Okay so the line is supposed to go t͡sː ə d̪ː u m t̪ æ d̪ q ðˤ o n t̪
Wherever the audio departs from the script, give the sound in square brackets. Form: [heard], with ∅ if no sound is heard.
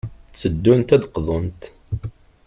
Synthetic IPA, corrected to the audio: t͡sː ə d̪ː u [n] t̪ æ d̪ q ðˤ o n t̪